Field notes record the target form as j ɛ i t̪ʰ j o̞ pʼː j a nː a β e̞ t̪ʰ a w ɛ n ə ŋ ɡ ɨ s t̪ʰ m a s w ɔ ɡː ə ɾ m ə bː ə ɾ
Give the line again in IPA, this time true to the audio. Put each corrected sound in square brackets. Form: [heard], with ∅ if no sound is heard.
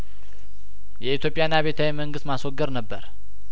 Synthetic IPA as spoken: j ɛ i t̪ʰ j o̞ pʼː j a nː a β e̞ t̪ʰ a w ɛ [m] ə ŋ ɡ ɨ s [t̪] m a s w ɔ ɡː ə ɾ [n] ə bː ə ɾ

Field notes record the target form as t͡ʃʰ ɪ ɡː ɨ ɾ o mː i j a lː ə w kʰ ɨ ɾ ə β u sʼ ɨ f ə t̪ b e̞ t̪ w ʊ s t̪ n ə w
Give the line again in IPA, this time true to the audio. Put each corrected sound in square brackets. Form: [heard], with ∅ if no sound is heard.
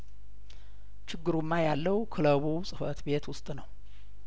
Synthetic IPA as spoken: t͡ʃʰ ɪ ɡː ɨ ɾ [u] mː [a] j a lː ə w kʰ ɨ [l] ə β u sʼ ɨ f ə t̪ b e̞ t̪ w ʊ s [t̪ʼ] n ə w

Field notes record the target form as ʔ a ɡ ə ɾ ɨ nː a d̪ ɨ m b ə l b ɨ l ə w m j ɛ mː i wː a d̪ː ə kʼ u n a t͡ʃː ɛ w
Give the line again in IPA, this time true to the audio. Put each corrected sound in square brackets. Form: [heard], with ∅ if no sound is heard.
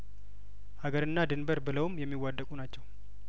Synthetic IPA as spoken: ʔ a ɡ ə ɾ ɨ nː a d̪ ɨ [n] b ə [ɾ] b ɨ l ə w m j ɛ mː i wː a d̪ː ə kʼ u n a t͡ʃː ɛ w

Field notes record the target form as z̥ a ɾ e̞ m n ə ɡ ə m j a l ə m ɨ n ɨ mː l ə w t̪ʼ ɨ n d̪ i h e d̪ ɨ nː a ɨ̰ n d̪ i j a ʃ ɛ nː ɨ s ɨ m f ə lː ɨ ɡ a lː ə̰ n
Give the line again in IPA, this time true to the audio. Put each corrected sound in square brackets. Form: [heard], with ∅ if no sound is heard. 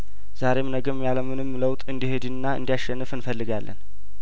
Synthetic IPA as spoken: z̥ a ɾ e̞ m n ə ɡ ə m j a l ə m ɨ n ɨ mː l ə w t̪ʼ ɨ n d̪ i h e d̪ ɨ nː a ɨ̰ n d̪ i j a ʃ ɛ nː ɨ [f] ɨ [n] f ə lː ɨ ɡ a lː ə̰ n

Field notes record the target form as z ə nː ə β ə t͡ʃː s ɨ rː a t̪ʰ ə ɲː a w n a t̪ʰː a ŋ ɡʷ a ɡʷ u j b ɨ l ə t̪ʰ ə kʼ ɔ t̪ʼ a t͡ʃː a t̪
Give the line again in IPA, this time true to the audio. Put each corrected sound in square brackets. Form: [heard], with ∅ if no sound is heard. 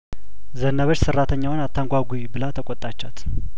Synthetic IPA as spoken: z ə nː ə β ə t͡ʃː s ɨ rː a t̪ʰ ə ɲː a w n a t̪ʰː a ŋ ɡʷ a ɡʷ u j b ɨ l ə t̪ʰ ə kʼ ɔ t̪ʼ a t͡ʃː a t̪

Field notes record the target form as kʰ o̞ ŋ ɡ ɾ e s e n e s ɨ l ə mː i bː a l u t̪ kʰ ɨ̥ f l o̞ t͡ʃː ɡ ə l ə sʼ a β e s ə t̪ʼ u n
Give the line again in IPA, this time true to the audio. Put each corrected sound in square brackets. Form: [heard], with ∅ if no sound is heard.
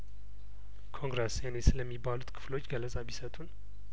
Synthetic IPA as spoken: kʰ o̞ ŋ ɡ ɾ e s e n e s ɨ l ə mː i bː a l u t̪ kʰ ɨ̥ f l o̞ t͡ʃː ɡ ə l ə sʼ a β [i] s ə t̪ʼ u n

